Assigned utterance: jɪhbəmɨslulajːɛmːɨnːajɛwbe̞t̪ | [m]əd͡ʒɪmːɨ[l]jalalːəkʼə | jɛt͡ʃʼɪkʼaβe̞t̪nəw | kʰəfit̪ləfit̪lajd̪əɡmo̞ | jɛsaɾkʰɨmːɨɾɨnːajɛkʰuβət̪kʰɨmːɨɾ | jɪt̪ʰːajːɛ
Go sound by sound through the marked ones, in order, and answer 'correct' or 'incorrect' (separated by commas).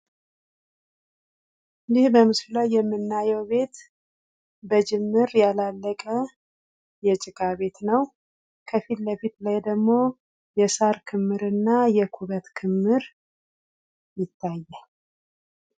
incorrect, incorrect